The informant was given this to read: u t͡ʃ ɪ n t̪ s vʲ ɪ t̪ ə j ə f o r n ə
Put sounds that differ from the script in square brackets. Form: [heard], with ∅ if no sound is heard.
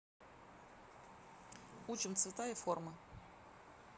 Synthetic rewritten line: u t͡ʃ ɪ [m] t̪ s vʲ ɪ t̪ [a] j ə f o r [m] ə